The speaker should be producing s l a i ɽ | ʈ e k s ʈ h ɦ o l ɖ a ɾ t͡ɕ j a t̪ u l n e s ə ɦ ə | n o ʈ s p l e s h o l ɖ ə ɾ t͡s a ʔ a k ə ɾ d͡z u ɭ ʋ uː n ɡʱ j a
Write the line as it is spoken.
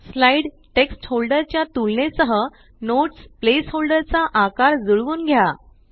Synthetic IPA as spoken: s l a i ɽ | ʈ e k s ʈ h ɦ o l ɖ ə ɾ t͡ɕ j a t̪ u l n e s ə ɦ ə | n o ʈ s p l e s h o l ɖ ə ɾ t͡s a ʔ a k a ɾ d͡z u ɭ ʋ uː n ɡʱ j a

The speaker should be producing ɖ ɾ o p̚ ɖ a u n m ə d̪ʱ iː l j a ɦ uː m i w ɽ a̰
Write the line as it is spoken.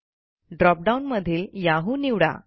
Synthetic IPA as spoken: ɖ ɾ ɔ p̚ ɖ a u n m ə d̪ʱ iː l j a ɦ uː n i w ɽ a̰

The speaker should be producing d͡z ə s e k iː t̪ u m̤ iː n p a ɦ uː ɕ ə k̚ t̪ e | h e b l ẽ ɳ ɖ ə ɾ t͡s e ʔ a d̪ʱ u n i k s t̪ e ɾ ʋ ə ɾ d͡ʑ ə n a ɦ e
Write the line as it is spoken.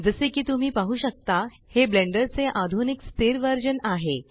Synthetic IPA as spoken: d͡z ə s e k iː t̪ u m̤ iː p a ɦ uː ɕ ə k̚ t̪ a | h e b l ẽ ɳ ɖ ə ɾ t͡s e ʔ a d̪ʱ u n i k s t̪ e ɾ ʋ ə ɾ d͡ʑ ə n a ɦ e

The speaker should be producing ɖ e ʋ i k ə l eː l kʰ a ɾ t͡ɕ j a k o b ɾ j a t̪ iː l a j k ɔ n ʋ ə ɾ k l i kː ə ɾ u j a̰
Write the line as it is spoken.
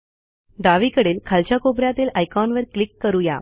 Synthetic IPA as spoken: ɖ a ʋ i k ə ɽ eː l kʰ a l t͡ɕ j a k o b ɾ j a t̪ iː l a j k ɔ n ʋ ə ɾ k l i kː ə ɾ u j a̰

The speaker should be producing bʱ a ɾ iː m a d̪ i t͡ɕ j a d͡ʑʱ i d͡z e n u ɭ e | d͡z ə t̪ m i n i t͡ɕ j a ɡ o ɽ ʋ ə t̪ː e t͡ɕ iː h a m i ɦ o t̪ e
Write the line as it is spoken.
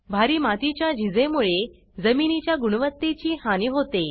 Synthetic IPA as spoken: bʱ a ɾ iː m a t̪ i t͡ɕ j a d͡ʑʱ i d͡z e m u ɭ e | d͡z ə m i n i t͡ɕ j a ɡ u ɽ ʋ ə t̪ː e t͡ɕ iː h a n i ɦ o t̪ e

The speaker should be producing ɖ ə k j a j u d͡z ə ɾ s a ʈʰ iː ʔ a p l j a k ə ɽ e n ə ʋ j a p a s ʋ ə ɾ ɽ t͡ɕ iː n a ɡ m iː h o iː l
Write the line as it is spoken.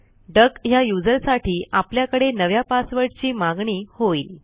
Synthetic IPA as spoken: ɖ ə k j a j u d͡z ə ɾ s a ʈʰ iː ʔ a p l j a k ə ɽ e n ə ʋ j a p a s ʋ ə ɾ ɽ t͡ɕ iː m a ɡ ɳ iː h o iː l

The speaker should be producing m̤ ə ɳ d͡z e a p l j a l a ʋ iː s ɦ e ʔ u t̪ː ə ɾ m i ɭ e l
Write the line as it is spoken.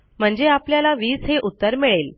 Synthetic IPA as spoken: m̤ ə ɳ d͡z e a p l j a l a ʋ iː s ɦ e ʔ u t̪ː ə ɾ m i ɭ e l

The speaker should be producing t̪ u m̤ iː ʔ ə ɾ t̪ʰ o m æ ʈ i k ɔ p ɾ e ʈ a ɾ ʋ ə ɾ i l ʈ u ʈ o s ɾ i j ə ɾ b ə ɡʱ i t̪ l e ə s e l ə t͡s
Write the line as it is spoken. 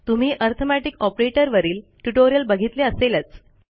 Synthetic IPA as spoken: t̪ u m̤ iː ʔ ə ɾ t̪ʰ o m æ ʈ i k ɔ p ɾ e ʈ ə ɾ ʋ ə ɾ iː l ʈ u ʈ o ɾ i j ə l b ə ɡʱ i t̪ l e ə s e l ə t͡s

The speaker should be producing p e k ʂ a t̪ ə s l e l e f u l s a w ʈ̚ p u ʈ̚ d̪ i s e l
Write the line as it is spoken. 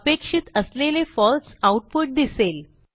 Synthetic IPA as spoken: p e k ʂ i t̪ ə s l e l e f ɔ l s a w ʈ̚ p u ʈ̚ d̪ i s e l

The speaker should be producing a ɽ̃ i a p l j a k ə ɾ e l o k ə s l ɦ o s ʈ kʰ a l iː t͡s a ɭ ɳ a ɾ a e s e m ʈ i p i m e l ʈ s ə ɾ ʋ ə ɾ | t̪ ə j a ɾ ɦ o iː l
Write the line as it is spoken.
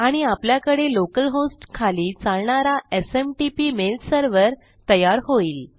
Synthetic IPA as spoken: a ɽ̃ i a p l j a k ə ɽ e l o k ə l ɦ o s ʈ kʰ a l iː t͡s a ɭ ɳ a ɾ a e s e m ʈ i p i m e l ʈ s ə ɾ ʋ ə ɾ | t̪ ə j a ɾ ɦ o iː l

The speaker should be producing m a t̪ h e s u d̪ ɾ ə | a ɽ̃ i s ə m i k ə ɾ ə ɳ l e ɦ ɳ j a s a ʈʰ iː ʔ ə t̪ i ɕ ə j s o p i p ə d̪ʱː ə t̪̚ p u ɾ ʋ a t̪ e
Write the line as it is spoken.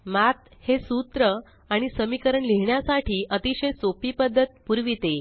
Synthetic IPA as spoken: m a t̪ h e s u t̪ ɾ ə | a ɽ̃ i s ə m i k ə ɾ ə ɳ l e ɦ ɳ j a s a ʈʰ iː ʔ ə t̪ i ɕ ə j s o p i p ə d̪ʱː ə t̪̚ p u ɾ ʋ i t̪ e

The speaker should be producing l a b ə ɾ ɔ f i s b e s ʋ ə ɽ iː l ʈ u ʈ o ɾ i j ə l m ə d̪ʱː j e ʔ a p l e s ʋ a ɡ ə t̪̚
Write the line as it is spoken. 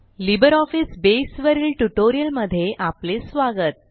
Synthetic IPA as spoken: l i b ə ɾ ɔ f i s b e s ʋ ə ɾ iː l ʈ u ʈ o ɾ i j ə l m ə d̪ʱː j e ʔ a p l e s ʋ a ɡ ə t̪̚

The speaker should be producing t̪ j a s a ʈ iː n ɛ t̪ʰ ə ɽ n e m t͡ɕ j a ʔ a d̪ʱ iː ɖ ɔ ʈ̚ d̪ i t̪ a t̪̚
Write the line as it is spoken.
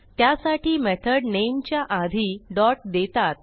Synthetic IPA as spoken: t̪ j a s a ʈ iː m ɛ t̪ʰ ə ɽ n e m t͡ɕ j a ʔ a d̪ʱ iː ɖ ɔ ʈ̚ d̪ e t̪ a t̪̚

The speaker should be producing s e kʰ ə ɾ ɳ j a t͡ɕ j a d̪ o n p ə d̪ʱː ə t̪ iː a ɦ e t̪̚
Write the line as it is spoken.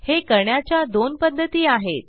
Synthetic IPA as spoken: h e k ə ɾ ɳ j a t͡ɕ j a d̪ o n p ə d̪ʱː ə t̪ iː a ɦ e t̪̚

